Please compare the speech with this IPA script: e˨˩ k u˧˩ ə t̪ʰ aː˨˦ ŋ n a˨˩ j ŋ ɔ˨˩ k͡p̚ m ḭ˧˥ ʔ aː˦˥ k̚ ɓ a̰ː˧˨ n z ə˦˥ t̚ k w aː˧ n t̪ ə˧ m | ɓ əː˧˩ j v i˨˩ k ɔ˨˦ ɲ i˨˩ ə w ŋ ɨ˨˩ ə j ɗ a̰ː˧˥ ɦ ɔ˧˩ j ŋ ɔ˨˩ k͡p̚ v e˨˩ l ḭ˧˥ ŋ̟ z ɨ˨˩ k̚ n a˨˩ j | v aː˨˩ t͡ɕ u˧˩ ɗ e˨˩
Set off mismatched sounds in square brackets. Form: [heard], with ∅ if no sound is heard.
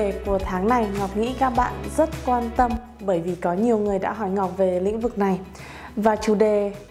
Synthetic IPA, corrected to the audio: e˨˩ k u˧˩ ə t̪ʰ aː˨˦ ŋ n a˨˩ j ŋ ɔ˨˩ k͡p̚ [ŋ] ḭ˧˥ [k] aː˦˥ k̚ ɓ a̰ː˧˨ n z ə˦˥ t̚ k w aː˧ n t̪ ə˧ m | ɓ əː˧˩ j v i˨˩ k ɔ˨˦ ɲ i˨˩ ə w ŋ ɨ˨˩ ə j ɗ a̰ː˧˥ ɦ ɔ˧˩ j ŋ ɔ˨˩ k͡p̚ v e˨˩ l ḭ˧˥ ŋ̟ [v] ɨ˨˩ k̚ n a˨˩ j | v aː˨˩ t͡ɕ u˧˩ ɗ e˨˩